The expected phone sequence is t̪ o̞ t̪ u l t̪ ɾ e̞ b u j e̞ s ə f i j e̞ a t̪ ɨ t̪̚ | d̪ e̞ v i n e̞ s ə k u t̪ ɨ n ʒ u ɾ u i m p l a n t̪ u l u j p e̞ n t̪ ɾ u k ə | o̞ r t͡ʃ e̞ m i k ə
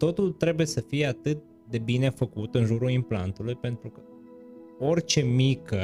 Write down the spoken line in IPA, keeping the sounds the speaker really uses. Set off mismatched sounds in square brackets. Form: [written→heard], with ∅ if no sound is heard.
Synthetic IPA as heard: t̪ o̞ t̪ u l t̪ ɾ e̞ b u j e̞ s ə f i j e̞ a t̪ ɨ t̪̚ | d̪ e̞ [v→b] i n e̞ [s→f] ə k u t̪ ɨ n ʒ u ɾ u i m p l a n t̪ u l u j p e̞ n t̪ ɾ u k ə | o̞ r t͡ʃ e̞ m i k ə